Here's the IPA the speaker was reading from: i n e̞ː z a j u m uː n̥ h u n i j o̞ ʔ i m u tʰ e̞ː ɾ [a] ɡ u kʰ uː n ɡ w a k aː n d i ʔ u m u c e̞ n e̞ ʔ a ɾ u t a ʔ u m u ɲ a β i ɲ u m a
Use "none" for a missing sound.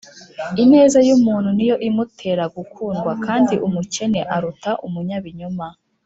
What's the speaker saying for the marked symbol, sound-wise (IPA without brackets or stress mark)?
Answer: a